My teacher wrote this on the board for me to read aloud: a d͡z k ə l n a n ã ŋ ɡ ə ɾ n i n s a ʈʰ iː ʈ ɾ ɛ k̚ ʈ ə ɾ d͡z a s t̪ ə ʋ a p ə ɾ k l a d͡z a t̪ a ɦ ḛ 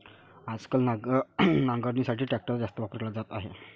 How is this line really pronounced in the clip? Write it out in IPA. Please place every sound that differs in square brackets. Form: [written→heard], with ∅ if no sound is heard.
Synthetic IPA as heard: a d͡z k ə l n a n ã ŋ ɡ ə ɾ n i [n→∅] s a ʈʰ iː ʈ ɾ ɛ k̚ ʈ ə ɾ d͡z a s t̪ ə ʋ a p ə ɾ k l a d͡z a t̪ a ɦ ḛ